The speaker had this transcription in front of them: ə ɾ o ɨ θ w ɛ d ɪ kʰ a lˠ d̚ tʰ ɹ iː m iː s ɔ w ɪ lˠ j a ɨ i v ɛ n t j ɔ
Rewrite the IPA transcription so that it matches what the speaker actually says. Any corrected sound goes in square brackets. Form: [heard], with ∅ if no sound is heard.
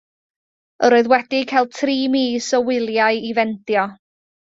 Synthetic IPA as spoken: ə ɾ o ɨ [ð] w ɛ d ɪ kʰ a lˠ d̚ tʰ [r] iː m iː s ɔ w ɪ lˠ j a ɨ i v ɛ n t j ɔ